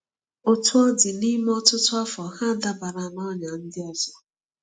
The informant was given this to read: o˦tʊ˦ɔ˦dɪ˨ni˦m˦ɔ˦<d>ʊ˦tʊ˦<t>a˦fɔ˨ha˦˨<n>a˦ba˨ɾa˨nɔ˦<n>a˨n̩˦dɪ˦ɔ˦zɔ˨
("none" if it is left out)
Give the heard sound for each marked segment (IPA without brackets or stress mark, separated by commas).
t, none, d, ɲ